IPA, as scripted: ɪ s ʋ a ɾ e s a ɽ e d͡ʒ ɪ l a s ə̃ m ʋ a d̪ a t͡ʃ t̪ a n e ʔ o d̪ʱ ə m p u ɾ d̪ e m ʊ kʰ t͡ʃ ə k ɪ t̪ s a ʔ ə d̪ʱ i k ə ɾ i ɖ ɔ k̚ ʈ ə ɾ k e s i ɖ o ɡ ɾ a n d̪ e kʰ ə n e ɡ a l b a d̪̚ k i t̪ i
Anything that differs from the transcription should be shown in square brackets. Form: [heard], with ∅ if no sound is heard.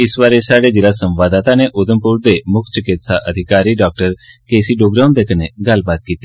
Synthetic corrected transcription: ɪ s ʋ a ɾ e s a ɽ e d͡ʒ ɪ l a s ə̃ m ʋ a d̪ a [∅] t̪ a n e ʔ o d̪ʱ ə m p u ɾ d̪ e m ʊ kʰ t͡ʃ ə k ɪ t̪ s a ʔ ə d̪ʱ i k [a] ɾ i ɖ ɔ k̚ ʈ ə ɾ k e s i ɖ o ɡ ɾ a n d̪ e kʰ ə n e ɡ a l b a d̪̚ k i t̪ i